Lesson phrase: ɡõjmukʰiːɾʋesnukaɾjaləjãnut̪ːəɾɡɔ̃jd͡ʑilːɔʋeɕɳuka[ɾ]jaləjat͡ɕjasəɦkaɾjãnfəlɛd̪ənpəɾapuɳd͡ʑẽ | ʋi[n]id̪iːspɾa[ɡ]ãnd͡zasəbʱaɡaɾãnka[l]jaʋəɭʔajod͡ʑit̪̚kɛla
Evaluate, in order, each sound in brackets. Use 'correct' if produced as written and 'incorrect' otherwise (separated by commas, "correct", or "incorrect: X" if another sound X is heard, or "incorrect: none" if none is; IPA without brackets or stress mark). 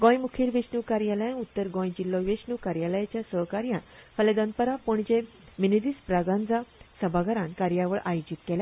correct, correct, correct, incorrect: ɾ